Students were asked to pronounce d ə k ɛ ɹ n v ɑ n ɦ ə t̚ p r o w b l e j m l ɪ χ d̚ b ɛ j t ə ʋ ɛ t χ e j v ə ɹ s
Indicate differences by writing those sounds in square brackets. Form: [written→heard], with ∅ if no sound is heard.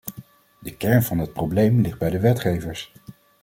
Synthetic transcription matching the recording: d ə k ɛ ɹ n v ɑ n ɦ ə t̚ p r o w b l e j m l ɪ χ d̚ b ɛ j [t→d] ə ʋ ɛ t χ e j v ə ɹ s